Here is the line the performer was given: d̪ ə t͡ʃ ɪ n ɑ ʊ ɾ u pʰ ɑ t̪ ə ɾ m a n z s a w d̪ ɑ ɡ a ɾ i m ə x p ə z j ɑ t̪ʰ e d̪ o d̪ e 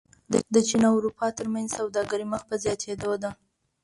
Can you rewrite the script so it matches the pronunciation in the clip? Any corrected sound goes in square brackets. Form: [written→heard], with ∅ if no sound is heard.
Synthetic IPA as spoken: d̪ ə t͡ʃ [ɪ→i] n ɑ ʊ ɾ u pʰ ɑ t̪ ə ɾ m a n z s a w d̪ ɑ ɡ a ɾ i m ə x p ə z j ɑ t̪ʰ e d̪ o d̪ [e→a]

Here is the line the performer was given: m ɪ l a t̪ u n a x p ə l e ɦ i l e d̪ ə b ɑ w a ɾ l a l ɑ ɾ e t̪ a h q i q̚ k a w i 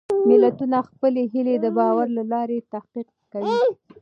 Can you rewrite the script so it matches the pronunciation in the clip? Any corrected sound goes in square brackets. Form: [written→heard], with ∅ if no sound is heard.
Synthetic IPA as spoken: m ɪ l a t̪ u n a x p ə l e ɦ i l e d̪ ə b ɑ w a ɾ l a l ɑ ɾ e t̪ a h q i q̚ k a w i

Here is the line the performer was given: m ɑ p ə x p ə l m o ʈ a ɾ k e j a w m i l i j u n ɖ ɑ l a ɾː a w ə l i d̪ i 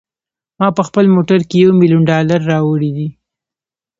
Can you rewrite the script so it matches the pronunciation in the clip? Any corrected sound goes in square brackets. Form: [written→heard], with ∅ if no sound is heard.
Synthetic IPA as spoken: m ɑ p ə x p ə l m o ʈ a ɾ k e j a w m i l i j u n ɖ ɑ l a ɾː [a→ɑ] w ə [l→ɽ] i d̪ i

